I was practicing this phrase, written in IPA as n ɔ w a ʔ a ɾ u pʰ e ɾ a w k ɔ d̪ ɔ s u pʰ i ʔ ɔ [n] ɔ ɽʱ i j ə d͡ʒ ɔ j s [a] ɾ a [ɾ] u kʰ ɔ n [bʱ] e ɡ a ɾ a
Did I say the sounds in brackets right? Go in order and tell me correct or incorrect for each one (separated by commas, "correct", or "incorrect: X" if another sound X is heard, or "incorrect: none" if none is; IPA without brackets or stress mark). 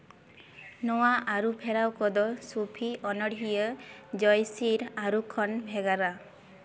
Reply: correct, incorrect: i, correct, correct